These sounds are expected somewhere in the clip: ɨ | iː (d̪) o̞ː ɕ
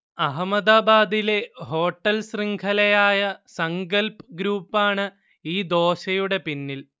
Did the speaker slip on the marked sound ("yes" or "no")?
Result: no